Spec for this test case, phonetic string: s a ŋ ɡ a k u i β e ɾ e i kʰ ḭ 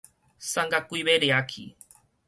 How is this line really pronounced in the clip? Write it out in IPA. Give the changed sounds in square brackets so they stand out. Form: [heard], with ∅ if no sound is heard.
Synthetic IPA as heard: s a ŋ ɡ a k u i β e ɾ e [a] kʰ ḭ